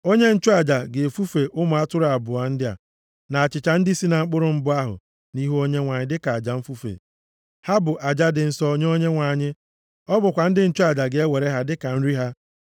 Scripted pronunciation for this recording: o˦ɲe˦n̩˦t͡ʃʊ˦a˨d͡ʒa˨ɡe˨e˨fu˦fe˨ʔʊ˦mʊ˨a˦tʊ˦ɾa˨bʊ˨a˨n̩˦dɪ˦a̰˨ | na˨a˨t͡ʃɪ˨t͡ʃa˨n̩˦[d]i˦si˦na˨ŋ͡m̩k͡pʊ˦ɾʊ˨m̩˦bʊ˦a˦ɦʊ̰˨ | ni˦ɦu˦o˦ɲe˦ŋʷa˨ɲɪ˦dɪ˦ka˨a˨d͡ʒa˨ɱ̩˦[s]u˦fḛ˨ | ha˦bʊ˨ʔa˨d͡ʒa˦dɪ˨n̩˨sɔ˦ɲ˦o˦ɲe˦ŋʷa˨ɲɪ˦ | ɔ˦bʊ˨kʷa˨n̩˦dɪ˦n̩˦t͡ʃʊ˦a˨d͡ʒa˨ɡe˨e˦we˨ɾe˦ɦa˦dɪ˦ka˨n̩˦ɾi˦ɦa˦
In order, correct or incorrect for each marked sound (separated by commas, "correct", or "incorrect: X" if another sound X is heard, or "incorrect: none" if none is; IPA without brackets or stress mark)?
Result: correct, incorrect: f